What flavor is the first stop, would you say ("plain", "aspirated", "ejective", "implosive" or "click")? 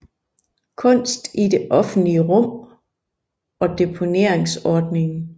aspirated